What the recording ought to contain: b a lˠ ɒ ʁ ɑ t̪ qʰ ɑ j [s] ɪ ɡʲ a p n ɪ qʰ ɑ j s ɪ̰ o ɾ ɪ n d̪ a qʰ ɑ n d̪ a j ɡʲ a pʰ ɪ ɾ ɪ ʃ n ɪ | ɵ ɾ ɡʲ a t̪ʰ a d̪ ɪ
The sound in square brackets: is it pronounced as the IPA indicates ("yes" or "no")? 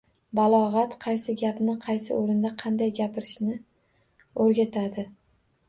yes